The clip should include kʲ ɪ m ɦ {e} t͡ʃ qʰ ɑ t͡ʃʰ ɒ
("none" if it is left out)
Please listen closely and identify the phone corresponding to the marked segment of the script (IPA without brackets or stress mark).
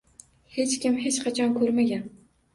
e